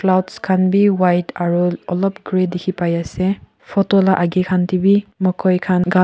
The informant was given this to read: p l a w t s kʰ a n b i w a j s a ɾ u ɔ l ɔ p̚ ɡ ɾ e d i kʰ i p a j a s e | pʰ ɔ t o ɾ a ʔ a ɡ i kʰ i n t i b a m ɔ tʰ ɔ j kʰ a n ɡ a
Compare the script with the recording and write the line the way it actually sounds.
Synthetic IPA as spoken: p l a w t s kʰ a n b i w a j t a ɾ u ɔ l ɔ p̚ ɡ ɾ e d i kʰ i p a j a s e | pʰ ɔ t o l a ʔ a ɡ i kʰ a n t i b i m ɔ kʰ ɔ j kʰ a n ɡ a